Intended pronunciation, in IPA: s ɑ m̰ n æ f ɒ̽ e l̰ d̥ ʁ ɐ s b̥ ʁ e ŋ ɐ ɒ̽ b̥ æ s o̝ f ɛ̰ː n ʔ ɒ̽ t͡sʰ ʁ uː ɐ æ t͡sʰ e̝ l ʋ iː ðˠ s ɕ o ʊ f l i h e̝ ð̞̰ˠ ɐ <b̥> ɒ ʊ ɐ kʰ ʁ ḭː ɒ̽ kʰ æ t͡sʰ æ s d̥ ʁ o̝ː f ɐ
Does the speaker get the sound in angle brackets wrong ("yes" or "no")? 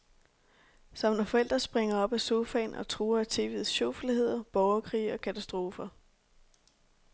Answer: no